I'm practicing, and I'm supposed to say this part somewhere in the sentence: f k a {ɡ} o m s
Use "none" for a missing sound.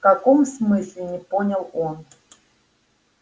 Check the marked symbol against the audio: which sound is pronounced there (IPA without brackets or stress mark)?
k